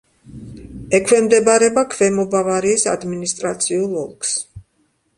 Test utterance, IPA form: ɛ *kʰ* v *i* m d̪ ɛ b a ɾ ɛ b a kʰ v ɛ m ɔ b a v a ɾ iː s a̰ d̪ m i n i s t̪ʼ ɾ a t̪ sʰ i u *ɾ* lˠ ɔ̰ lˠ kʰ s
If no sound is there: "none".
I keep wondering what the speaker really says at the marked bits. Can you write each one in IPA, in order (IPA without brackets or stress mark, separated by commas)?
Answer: kʰ, ɛ, none